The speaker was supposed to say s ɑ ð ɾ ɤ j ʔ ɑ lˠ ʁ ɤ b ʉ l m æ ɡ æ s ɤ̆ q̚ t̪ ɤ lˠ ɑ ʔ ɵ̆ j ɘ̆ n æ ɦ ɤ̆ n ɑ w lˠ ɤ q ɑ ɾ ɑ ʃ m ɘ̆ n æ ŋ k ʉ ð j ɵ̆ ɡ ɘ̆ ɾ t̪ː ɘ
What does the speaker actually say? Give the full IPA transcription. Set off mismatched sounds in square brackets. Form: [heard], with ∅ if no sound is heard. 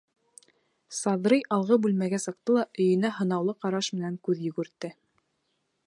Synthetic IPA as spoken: s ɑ ð ɾ ɤ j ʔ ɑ lˠ ʁ ɤ b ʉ l m æ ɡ æ s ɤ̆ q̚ t̪ ɤ lˠ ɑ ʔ ɵ̆ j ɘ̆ n æ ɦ ɤ̆ n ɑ w lˠ ɤ q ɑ ɾ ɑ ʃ m ɘ̆ n æ ŋ k ʉ ð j ɵ̆ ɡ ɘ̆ ɾ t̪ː ɘ